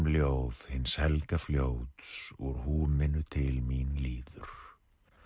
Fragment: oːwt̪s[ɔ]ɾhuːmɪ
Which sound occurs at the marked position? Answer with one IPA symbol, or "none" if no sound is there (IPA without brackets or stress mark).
ɔ